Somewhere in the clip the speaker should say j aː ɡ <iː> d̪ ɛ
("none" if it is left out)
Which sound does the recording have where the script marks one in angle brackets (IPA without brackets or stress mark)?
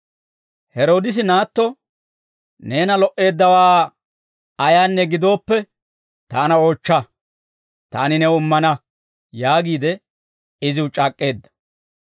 iː